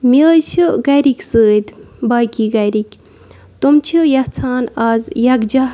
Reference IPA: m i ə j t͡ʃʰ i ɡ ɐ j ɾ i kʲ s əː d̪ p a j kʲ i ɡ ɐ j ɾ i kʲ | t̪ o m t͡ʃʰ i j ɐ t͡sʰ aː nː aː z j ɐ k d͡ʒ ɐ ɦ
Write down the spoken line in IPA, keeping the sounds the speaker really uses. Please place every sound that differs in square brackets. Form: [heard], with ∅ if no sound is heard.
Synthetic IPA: m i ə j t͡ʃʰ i ɡ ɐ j ɾ i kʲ s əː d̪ [b] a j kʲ i ɡ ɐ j ɾ i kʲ | t̪ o m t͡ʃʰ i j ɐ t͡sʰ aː [n] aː z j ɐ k d͡ʒ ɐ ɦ